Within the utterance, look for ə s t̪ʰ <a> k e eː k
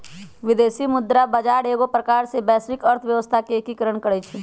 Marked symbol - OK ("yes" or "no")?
yes